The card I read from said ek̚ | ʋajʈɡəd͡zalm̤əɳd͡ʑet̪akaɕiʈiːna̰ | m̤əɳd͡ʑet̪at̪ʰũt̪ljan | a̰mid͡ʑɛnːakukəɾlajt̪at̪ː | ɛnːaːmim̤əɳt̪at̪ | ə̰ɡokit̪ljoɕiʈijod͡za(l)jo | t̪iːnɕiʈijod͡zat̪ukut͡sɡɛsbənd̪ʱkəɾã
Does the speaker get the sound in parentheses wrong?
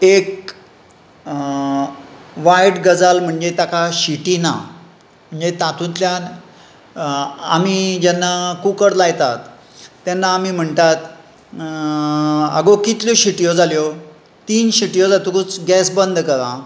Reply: no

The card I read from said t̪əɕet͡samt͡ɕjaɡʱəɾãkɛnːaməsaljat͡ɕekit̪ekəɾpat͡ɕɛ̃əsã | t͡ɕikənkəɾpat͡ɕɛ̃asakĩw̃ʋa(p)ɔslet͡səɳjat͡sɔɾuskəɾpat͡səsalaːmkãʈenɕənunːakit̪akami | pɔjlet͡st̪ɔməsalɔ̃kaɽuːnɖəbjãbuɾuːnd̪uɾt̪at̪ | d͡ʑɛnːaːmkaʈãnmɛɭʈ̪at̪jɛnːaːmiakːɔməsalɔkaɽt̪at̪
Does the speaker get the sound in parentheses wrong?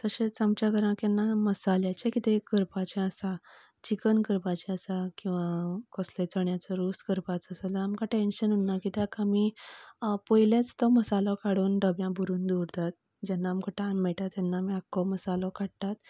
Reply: yes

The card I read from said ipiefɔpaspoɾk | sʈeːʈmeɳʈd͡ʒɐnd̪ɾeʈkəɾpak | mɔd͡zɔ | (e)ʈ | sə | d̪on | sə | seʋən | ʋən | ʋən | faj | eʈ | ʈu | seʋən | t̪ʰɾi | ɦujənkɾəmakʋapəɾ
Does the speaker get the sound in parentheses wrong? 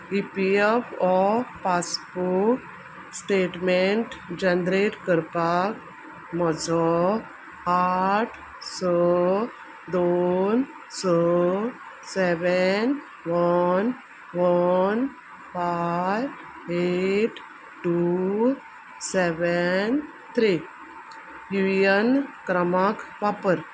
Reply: yes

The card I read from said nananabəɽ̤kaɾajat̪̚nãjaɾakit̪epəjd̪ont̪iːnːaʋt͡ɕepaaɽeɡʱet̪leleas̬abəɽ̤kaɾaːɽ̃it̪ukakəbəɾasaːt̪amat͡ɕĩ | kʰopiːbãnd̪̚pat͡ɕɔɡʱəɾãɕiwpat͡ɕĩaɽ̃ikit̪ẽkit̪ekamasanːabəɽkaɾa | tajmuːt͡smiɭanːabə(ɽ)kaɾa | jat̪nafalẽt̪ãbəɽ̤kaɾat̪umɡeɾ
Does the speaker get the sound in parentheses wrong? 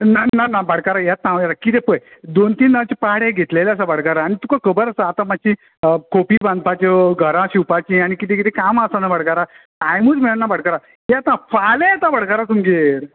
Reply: no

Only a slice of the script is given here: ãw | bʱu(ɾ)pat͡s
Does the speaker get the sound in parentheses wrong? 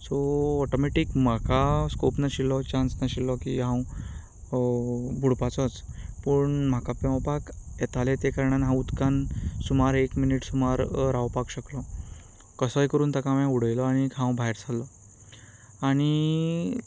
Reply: yes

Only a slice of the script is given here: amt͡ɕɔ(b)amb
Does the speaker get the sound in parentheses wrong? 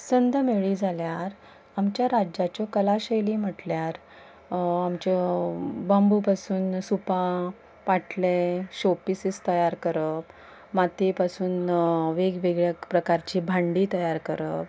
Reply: no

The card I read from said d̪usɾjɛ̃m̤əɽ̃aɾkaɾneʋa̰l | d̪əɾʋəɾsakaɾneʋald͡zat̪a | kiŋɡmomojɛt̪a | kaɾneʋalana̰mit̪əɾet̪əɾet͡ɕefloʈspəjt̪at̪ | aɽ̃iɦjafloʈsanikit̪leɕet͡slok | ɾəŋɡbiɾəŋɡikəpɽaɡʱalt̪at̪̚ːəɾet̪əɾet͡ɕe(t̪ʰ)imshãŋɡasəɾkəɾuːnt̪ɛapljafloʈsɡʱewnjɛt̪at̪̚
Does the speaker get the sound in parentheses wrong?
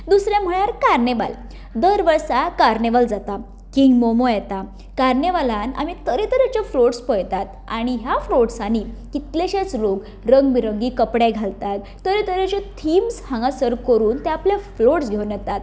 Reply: no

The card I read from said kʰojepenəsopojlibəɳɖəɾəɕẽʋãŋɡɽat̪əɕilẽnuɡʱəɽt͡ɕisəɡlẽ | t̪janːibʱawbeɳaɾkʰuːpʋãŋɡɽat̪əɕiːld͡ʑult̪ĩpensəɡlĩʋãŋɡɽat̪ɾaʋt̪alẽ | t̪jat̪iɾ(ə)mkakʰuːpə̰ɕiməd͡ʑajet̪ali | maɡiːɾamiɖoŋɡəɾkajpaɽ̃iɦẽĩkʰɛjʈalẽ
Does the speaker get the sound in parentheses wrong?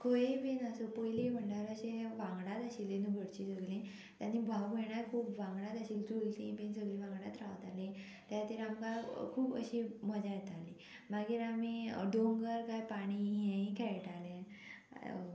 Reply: yes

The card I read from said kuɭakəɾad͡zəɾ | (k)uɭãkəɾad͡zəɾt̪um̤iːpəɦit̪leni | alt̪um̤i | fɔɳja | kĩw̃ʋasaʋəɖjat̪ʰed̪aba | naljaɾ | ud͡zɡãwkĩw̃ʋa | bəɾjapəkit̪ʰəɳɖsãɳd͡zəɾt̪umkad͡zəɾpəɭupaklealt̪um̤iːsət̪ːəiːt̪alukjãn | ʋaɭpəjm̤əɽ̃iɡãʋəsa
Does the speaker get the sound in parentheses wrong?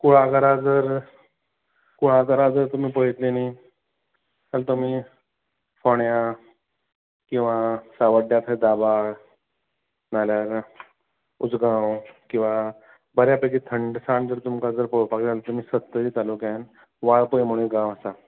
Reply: no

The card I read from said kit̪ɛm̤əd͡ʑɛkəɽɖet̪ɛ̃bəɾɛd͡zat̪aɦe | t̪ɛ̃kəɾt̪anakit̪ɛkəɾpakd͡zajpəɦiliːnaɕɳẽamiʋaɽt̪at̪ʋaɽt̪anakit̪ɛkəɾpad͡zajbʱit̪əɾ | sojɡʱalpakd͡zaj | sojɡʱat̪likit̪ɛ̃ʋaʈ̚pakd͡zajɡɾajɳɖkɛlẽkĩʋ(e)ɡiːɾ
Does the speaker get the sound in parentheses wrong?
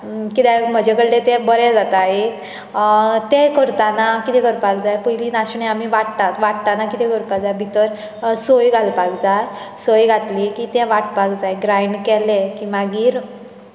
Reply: yes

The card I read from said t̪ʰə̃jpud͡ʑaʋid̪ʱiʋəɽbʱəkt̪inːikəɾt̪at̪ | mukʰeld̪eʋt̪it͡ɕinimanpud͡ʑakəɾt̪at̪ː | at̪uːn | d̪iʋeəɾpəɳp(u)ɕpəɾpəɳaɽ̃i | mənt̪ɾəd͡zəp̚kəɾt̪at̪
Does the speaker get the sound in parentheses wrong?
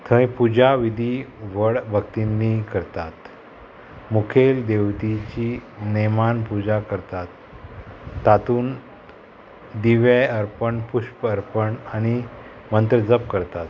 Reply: no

